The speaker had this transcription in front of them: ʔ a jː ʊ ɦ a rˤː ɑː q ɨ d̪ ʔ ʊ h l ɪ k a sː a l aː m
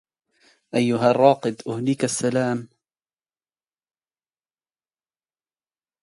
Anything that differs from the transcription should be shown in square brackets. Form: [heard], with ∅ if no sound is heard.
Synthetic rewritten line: ʔ a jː ʊ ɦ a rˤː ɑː q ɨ d̪ ʔ ʊ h l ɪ k a sː a l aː m